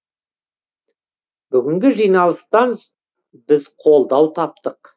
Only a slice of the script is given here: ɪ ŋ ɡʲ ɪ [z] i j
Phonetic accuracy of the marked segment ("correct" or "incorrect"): incorrect